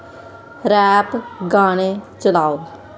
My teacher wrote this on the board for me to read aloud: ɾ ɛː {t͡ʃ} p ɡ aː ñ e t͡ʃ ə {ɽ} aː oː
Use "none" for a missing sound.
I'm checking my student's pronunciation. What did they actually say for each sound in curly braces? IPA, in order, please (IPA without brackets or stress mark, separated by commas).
none, l